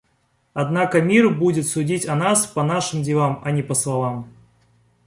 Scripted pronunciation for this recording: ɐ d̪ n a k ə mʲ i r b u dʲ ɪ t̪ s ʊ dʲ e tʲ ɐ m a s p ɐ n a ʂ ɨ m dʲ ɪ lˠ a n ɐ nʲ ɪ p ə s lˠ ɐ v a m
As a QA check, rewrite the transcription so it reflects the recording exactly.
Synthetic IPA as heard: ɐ d̪ n a k ə mʲ i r b u dʲ ɪ t̪ s ʊ dʲ i tʲ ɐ n a s p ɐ n a ʂ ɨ m dʲ ɪ lˠ a m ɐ nʲ ɪ p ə s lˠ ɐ v a m